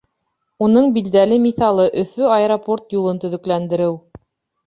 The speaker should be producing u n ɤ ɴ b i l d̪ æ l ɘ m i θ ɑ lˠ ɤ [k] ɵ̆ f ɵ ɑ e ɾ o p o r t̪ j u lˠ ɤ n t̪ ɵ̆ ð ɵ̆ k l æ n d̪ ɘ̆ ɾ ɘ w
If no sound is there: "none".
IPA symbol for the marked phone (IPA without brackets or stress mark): ʔ